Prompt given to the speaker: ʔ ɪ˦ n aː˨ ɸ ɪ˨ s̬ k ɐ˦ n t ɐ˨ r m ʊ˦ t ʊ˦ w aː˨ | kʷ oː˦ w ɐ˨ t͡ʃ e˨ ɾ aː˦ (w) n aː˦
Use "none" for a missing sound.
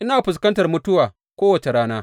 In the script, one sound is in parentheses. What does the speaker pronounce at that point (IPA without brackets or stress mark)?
none